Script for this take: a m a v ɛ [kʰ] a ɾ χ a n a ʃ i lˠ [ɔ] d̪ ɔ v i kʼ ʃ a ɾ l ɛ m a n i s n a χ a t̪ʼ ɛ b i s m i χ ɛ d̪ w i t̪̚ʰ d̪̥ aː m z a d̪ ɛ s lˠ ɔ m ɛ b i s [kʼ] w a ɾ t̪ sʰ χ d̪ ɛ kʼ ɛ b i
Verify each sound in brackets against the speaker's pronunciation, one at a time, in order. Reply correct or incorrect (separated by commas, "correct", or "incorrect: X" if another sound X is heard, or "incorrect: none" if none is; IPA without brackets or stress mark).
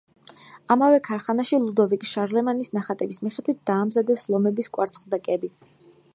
correct, incorrect: u, correct